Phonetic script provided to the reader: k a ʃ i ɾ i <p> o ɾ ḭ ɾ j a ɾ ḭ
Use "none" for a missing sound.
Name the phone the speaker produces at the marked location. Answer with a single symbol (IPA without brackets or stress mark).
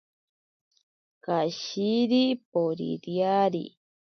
p